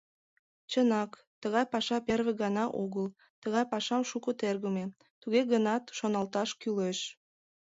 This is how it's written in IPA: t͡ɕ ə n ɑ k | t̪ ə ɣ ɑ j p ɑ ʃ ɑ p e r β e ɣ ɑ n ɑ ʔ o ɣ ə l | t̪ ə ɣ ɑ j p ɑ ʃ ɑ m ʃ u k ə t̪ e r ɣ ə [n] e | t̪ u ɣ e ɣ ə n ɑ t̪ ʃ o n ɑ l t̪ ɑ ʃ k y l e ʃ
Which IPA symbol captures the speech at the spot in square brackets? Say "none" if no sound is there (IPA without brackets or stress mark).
m